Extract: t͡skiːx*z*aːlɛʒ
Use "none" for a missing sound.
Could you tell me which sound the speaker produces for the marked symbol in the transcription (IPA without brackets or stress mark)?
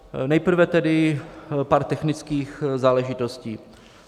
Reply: z